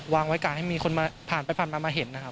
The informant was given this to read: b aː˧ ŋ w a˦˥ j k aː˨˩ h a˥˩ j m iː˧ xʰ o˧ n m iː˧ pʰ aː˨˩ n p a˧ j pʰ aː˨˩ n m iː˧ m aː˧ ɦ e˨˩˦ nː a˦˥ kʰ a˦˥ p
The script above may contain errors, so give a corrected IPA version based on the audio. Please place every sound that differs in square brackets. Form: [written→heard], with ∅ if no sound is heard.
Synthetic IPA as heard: [b→w] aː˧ ŋ w a˦˥ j k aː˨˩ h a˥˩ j m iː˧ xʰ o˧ n m [iː˧→aː˧] pʰ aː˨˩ n p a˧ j pʰ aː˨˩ n m [iː˧→aː˧] m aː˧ ɦ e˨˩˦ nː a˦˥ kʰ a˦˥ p